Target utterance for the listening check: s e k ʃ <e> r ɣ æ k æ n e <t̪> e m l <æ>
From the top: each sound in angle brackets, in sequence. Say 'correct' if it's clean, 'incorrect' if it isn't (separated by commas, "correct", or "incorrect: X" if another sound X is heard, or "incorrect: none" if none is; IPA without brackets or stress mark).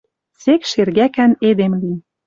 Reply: correct, incorrect: d̪, incorrect: i